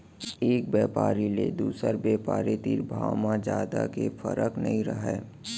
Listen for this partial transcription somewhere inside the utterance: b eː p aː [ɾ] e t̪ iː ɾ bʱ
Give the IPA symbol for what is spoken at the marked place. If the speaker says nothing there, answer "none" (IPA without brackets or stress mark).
ɾ